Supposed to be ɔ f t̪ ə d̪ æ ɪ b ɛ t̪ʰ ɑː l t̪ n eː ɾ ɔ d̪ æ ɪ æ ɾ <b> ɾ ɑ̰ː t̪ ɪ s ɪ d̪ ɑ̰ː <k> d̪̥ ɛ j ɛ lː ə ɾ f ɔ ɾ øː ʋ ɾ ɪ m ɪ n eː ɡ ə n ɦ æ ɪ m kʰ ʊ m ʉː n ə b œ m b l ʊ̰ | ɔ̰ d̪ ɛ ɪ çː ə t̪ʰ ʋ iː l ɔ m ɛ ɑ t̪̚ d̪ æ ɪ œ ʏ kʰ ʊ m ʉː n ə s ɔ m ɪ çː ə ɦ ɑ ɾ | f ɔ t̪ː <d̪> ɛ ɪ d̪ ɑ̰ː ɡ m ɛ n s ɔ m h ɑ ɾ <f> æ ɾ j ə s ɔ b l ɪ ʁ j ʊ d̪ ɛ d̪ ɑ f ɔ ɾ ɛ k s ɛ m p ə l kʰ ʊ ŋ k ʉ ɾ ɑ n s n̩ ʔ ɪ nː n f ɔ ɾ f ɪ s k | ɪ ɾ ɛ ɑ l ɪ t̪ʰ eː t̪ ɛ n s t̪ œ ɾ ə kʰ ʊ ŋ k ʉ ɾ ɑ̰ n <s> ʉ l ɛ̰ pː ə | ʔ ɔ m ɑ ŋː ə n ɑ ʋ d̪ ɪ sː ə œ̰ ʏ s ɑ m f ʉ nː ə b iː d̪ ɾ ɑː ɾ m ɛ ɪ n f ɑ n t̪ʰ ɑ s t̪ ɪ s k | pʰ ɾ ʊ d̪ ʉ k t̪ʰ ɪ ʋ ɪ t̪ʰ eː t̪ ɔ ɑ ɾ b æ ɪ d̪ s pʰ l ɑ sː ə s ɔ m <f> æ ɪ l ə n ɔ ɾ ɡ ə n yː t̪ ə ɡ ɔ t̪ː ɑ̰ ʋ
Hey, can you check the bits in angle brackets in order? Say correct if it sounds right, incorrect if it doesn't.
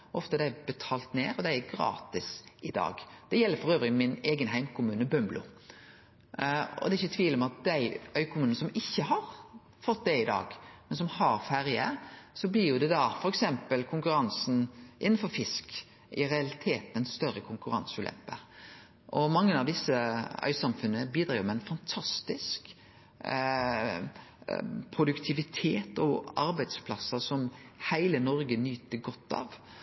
incorrect: ɡ, incorrect: ɡ, correct, correct, correct, incorrect: h

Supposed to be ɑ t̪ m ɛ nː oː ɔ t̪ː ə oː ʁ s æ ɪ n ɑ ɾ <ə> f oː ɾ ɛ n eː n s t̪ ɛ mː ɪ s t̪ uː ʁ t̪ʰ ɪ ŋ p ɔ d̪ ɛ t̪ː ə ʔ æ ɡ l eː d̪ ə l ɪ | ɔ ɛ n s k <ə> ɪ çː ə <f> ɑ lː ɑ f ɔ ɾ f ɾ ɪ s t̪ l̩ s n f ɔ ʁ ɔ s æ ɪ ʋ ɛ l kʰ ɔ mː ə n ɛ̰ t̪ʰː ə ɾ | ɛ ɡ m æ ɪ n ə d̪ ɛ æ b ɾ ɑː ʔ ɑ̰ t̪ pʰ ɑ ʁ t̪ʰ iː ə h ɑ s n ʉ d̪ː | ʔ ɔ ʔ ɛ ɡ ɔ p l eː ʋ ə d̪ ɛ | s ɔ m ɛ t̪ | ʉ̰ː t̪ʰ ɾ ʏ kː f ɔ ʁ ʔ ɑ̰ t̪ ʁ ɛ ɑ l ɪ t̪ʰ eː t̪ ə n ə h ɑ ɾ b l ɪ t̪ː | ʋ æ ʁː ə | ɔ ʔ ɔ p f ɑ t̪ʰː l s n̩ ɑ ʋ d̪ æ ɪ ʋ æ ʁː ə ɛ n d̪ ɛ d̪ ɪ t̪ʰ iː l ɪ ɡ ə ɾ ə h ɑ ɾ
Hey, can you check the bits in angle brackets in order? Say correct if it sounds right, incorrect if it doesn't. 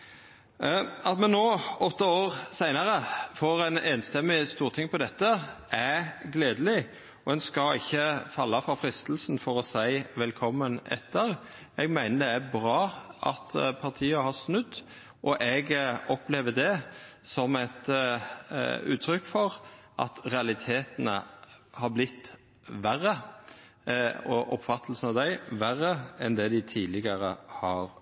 correct, incorrect: ɑ, correct

